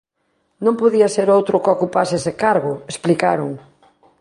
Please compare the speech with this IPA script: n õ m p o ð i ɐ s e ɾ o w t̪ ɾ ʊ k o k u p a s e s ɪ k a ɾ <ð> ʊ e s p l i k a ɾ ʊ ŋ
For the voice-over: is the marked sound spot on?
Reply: no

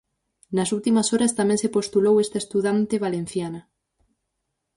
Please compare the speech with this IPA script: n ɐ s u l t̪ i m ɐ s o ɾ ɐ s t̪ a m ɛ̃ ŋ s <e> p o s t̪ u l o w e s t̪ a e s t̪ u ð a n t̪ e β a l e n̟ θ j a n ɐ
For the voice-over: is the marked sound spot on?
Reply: yes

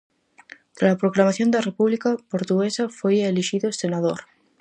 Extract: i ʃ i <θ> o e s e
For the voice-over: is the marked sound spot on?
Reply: no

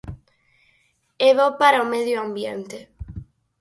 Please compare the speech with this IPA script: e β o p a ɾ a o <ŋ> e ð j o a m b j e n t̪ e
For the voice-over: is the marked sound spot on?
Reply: no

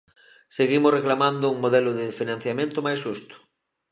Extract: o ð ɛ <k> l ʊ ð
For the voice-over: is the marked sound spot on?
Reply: no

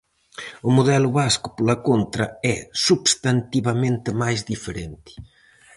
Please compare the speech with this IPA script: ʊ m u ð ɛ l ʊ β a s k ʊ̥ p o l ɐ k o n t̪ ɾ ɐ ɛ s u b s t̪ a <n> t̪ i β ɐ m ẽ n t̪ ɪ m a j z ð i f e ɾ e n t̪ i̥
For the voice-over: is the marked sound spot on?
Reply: yes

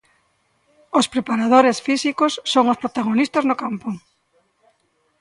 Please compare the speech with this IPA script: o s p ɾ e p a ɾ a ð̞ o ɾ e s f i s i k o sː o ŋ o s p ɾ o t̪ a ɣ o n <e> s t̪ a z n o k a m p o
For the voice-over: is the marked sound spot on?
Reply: no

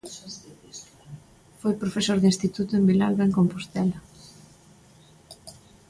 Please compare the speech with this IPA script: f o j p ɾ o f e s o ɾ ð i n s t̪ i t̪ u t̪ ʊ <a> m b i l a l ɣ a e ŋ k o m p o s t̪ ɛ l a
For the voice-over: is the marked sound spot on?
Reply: no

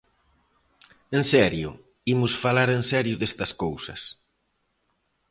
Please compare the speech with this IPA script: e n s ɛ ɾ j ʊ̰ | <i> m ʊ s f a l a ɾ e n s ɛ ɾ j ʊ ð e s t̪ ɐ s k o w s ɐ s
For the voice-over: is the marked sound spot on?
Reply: yes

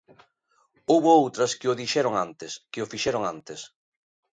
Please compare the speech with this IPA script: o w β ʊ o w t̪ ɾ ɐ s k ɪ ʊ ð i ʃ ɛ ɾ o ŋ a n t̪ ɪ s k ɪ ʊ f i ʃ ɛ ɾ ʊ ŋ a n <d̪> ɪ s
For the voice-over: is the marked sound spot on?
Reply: no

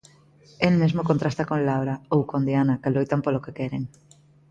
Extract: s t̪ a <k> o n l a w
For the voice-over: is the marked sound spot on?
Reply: yes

